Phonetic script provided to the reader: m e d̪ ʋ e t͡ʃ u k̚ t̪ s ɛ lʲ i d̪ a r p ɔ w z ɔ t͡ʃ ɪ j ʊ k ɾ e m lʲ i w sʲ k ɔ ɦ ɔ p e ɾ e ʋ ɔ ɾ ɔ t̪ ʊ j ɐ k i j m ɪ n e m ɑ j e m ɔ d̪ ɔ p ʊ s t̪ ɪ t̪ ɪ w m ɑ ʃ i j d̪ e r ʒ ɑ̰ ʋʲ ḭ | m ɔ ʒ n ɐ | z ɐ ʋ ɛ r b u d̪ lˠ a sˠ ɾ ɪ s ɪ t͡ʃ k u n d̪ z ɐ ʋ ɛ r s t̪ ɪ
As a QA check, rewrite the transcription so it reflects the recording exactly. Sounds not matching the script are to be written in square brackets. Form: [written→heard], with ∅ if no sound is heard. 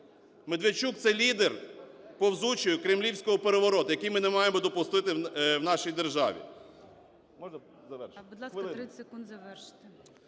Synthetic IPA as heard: m e d̪ ʋ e t͡ʃ u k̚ t̪ s ɛ lʲ i d̪ [a→e] r p ɔ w z [ɔ→u] t͡ʃ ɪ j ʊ k ɾ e m lʲ i w sʲ k ɔ ɦ ɔ p e ɾ e ʋ ɔ ɾ ɔ t̪ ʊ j ɐ k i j m ɪ n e m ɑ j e m ɔ d̪ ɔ p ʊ s t̪ ɪ t̪ ɪ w [m→n] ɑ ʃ i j d̪ e r ʒ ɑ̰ ʋʲ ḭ | m ɔ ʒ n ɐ | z ɐ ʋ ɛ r b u d̪ lˠ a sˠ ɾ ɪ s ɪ [t͡ʃ→∅] k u n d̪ z ɐ ʋ ɛ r [s→ʃ] t̪ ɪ